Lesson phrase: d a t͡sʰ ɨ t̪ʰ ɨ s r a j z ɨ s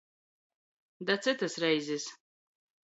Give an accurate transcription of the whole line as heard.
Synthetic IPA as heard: d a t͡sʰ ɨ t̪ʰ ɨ s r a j z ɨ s